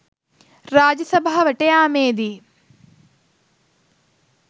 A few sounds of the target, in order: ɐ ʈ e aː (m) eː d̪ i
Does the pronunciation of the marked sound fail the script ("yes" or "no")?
no